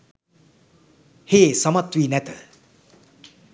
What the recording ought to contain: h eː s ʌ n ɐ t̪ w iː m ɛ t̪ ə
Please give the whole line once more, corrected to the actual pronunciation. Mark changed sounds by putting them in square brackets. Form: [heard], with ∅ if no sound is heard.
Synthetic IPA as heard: h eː s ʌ [m] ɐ t̪ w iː [n] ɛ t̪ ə